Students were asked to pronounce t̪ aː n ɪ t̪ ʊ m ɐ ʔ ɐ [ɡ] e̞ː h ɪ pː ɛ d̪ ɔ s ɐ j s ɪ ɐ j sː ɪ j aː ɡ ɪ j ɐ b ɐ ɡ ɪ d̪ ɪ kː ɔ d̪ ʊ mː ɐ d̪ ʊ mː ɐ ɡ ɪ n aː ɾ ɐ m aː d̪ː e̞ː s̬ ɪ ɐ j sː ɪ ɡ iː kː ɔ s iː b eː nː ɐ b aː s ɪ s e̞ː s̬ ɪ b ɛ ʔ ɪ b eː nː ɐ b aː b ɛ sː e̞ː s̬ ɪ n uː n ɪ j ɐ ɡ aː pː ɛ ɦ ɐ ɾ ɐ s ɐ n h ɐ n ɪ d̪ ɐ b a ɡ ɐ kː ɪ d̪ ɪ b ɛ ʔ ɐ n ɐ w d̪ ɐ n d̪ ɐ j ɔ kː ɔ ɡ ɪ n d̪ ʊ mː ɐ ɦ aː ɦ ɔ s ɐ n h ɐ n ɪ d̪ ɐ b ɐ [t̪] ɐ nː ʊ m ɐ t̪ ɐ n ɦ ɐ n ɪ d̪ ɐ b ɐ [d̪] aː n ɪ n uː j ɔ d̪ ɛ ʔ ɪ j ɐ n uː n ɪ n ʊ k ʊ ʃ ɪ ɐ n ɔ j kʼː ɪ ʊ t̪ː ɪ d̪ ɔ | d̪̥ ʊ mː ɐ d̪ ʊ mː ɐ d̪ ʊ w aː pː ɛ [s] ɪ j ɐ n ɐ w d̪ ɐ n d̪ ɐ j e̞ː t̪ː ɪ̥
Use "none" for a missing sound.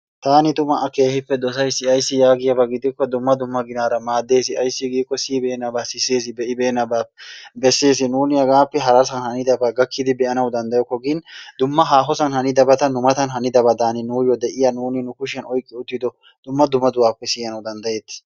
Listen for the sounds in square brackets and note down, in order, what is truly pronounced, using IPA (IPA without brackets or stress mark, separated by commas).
k, t̪, d̪, s